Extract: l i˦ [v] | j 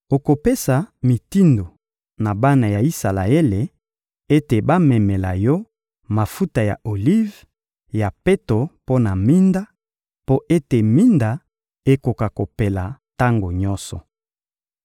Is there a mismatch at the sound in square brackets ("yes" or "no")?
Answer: no